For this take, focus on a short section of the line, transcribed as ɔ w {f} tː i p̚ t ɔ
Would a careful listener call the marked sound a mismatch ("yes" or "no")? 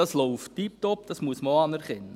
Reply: no